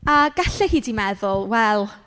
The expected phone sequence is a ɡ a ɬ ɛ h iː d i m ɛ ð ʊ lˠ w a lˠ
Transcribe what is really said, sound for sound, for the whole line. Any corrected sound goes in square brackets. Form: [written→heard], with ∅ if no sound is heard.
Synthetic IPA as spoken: a ɡ a ɬ ɛ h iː d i m ɛ ð ʊ lˠ w [a→ɛ] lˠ